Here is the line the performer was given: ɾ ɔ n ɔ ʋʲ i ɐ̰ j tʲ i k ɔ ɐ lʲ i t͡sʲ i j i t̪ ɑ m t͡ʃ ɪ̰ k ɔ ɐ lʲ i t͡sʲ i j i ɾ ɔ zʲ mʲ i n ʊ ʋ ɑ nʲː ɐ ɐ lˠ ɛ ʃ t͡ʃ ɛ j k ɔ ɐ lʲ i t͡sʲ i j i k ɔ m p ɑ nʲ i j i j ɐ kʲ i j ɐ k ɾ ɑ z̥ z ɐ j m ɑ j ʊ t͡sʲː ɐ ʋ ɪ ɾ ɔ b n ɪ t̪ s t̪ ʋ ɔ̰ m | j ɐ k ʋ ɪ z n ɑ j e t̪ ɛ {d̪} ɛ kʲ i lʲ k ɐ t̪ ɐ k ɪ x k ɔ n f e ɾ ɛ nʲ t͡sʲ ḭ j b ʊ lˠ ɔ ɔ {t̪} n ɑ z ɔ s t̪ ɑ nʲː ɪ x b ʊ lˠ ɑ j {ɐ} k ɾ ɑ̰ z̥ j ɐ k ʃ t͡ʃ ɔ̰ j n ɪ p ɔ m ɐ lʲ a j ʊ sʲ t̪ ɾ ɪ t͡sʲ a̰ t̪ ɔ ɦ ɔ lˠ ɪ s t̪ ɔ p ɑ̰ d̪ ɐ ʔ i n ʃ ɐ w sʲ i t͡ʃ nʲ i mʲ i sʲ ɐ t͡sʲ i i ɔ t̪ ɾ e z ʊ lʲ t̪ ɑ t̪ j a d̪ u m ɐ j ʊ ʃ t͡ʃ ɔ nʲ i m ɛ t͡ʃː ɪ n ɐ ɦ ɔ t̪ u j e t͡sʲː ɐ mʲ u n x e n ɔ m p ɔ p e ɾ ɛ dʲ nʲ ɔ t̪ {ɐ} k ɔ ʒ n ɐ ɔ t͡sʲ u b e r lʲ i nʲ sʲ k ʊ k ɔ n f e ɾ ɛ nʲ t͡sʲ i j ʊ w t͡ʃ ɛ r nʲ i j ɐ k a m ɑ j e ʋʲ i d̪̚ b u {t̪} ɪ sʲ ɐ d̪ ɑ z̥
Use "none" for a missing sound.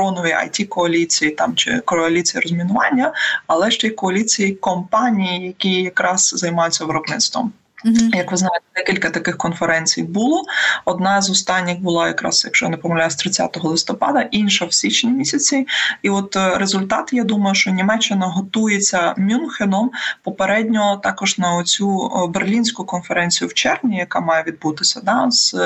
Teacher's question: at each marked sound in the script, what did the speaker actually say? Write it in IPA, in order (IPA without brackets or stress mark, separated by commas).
d̪, d̪, ɐ, ɑ, t̪